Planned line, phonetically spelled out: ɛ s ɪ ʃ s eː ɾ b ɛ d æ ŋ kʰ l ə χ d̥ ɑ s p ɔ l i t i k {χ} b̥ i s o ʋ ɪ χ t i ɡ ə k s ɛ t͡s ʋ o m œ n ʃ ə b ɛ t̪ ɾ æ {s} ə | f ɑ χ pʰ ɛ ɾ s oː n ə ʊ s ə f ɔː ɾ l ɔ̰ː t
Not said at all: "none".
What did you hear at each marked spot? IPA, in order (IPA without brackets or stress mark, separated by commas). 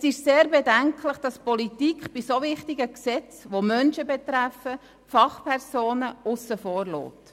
χ, f